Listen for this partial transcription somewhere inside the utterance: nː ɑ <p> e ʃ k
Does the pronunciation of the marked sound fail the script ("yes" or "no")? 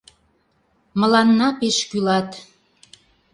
no